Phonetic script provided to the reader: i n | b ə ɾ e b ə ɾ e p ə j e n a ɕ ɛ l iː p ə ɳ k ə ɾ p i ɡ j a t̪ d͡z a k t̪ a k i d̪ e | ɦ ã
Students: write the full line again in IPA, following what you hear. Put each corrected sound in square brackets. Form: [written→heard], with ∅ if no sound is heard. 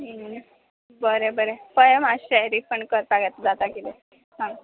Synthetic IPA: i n | b ə ɾ e b ə ɾ e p ə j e [n→m] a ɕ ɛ [l→ɾ] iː p ə ɳ k ə ɾ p [i→a] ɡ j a t̪ d͡z a [k→∅] t̪ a k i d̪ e | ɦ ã

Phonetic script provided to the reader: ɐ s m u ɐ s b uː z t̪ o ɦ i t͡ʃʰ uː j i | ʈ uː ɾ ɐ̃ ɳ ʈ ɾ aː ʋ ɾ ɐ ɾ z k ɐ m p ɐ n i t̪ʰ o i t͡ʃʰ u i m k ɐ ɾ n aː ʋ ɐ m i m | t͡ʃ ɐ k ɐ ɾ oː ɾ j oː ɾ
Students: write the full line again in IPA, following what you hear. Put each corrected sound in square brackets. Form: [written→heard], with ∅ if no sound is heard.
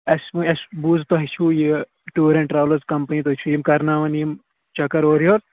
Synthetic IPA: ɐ s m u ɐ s b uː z t̪ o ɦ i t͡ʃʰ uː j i | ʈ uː ɾ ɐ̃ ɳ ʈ ɾ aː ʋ [ɾ→l] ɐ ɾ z k ɐ m p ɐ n i [t̪ʰ→t̪] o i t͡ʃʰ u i m k ɐ ɾ n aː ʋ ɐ [m→n] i m | t͡ʃ ɐ k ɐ ɾ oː ɾ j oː ɾ

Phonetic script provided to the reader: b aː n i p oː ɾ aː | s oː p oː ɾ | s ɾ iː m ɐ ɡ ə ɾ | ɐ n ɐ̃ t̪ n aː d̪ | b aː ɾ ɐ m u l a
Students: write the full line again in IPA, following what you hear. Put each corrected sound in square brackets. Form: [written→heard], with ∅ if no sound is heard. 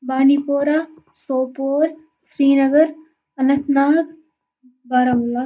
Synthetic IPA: b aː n i p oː ɾ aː | s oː p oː ɾ | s ɾ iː [m→n] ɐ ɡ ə ɾ | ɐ n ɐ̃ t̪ n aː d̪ | b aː ɾ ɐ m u l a

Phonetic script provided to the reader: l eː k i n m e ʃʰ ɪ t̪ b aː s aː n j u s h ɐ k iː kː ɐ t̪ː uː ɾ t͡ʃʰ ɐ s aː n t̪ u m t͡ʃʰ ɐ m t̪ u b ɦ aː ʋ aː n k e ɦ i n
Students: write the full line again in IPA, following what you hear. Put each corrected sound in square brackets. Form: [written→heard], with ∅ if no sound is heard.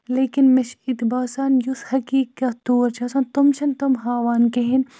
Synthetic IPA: l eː k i n m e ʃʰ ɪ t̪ b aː s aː n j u s h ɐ k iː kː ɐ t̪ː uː ɾ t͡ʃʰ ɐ s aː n t̪ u m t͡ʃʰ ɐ [m→n] t̪ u [b→m] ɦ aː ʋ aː n k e ɦ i n

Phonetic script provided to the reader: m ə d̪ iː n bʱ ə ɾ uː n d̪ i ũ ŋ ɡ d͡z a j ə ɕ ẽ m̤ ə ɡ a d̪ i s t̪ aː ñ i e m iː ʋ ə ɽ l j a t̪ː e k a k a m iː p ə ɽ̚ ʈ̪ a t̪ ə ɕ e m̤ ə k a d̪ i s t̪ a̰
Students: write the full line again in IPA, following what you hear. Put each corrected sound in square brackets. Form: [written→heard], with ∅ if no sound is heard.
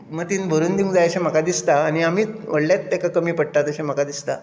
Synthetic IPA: m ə [d̪→t̪] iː n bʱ ə ɾ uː n d̪ i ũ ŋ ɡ d͡z a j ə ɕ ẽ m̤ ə [ɡ→k] a d̪ i s t̪ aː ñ i [e→a] m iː ʋ ə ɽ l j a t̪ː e k a k [a→ə] m iː p ə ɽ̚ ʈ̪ a t̪ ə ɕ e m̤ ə k a d̪ i s t̪ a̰

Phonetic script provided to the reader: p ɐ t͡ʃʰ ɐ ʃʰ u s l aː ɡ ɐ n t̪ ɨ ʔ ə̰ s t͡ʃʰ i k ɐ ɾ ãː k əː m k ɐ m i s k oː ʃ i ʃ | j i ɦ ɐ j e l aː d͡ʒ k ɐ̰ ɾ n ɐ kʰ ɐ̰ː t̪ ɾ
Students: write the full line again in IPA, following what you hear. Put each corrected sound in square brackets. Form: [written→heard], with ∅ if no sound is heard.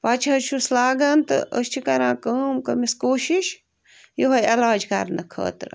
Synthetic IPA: p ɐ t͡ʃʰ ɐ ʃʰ u s l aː ɡ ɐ n t̪ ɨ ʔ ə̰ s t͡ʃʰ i k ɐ ɾ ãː k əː m k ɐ m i s k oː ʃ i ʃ | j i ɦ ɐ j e l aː d͡ʒ k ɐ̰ ɾ n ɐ kʰ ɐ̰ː t̪ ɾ

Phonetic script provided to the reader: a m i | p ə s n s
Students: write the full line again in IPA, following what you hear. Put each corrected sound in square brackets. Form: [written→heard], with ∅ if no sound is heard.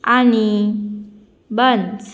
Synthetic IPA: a [m→n] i | [p→b] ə [s→∅] n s

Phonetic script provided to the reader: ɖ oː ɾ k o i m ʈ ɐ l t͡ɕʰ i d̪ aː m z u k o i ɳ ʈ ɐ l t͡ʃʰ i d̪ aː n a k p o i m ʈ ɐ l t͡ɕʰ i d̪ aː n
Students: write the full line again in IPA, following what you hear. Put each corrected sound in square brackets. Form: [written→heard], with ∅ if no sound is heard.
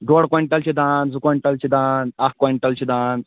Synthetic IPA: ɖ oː [ɾ→ɽ] k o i [m→ɳ] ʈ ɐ l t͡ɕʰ i d̪ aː [m→n] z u k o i ɳ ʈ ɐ l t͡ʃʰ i d̪ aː n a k [p→k] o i [m→ɳ] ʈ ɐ l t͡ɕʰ i d̪ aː n

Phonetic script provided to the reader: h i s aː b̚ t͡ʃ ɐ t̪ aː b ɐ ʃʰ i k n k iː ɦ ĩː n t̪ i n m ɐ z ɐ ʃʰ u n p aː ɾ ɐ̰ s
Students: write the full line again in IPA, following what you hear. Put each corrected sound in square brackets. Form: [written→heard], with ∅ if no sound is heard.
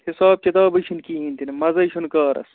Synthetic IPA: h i s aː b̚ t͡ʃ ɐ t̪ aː b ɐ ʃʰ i [k→∅] n k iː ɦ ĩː n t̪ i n m ɐ z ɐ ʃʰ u n [p→k] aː ɾ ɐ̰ s

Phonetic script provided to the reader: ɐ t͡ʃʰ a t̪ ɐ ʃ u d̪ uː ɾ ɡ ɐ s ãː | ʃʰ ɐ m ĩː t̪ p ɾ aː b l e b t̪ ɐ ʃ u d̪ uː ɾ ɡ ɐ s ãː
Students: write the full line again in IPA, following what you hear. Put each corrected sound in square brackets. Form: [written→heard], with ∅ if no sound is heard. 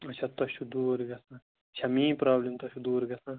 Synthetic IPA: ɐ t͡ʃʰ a t̪ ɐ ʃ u d̪ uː ɾ ɡ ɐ s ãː | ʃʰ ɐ m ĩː [t̪→∅] p ɾ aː b l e [b→m] t̪ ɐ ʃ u d̪ uː ɾ ɡ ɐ s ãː

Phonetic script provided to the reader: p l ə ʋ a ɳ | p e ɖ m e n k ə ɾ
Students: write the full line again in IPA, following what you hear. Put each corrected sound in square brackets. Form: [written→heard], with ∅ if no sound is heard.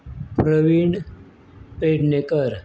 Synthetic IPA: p [l→ɾ] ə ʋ [a→i] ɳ | p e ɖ [m→n] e [n→∅] k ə ɾ

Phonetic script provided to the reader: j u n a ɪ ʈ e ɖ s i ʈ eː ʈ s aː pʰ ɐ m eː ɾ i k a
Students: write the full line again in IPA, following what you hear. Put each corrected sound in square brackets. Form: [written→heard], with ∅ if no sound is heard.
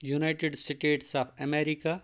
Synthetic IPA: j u n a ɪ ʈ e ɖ s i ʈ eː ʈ s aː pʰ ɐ m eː ɾ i k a

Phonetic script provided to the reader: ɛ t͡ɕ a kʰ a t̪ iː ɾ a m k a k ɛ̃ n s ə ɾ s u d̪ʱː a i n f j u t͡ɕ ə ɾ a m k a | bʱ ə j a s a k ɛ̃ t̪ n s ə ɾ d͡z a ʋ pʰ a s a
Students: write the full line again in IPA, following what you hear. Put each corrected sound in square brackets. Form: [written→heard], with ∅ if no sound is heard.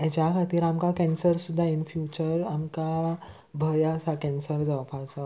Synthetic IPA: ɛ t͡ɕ a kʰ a t̪ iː ɾ a m k a k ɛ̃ n s ə ɾ s u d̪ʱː a i n f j u t͡ɕ ə ɾ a m k a | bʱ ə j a s a k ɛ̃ [t̪→∅] n s ə ɾ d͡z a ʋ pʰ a s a

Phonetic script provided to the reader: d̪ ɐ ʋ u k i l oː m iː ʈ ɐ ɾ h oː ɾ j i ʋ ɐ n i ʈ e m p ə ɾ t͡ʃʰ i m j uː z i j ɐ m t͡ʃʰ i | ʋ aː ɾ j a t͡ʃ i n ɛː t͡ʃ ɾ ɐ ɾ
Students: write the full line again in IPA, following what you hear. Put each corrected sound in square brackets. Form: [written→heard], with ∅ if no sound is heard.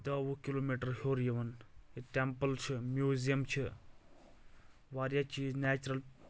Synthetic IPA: d̪ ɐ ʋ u k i l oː m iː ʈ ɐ ɾ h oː ɾ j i ʋ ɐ n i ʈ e m p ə [ɾ→l] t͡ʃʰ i m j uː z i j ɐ m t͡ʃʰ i | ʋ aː ɾ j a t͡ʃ i n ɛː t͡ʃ ɾ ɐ [ɾ→l]

